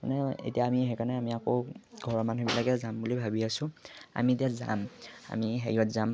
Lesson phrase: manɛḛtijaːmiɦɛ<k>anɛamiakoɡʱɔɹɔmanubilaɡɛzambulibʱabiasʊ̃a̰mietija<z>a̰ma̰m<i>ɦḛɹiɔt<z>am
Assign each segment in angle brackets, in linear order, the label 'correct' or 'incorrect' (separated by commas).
correct, correct, correct, correct